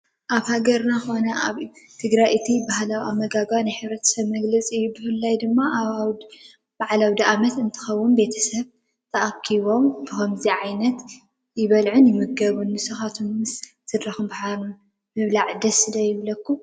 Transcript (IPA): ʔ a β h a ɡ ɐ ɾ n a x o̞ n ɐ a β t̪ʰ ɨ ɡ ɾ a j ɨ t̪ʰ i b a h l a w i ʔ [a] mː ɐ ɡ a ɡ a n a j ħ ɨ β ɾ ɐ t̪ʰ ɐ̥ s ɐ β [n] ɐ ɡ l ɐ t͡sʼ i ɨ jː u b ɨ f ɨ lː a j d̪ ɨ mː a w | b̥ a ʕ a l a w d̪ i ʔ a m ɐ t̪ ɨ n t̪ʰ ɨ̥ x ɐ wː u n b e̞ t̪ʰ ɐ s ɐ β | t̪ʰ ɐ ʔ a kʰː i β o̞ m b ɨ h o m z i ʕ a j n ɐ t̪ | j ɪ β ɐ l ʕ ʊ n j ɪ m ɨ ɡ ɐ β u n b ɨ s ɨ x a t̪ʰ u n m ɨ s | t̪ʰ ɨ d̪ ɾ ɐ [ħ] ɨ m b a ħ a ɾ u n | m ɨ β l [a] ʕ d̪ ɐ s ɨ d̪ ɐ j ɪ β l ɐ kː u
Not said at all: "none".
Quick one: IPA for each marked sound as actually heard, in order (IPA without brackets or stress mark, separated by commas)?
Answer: a, m, x, a